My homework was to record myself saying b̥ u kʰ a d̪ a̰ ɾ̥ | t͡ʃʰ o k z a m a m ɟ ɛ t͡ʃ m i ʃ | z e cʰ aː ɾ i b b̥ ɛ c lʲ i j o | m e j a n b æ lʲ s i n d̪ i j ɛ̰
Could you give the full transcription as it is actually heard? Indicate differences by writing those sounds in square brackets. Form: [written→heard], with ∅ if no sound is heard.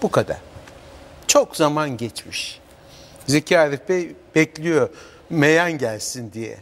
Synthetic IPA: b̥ u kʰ a d̪ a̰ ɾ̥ | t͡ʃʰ o k z a m a [m→n] ɟ ɛ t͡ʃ m i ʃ | z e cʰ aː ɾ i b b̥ ɛ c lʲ i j o | m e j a n [b→ɟ] æ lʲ s i n d̪ i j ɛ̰